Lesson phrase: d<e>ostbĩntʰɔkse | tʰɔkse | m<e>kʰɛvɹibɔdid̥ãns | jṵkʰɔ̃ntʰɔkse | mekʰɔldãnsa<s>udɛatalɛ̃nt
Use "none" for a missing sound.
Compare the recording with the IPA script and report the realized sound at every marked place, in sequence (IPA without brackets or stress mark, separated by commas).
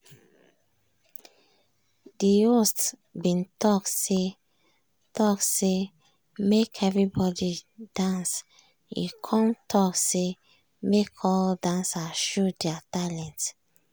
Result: i, e, ʃ